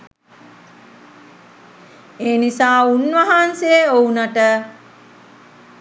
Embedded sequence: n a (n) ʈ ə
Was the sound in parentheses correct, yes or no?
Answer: no